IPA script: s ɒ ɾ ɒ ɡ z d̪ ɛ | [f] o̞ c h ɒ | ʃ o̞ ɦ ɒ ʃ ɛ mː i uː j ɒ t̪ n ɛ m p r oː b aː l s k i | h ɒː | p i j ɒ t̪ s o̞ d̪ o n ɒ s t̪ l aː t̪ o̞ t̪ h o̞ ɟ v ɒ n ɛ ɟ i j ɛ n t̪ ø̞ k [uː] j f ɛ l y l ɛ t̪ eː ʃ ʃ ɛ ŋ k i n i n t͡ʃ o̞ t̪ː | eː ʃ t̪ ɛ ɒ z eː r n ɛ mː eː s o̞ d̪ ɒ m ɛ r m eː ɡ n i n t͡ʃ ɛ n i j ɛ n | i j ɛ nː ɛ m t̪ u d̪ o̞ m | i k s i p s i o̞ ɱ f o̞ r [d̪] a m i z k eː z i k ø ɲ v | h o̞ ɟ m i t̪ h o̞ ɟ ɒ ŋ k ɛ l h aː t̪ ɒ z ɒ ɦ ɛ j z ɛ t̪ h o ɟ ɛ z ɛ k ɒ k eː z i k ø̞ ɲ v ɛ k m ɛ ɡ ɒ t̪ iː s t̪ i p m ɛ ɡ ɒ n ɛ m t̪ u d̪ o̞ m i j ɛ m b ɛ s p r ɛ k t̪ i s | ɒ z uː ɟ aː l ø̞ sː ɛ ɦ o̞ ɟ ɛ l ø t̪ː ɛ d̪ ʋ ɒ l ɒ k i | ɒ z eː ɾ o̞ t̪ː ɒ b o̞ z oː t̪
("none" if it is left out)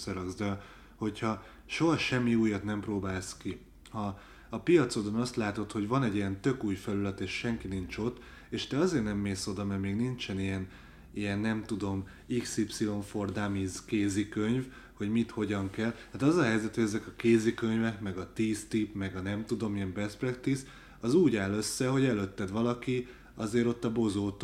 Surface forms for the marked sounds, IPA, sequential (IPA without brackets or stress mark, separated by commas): h, uː, d̪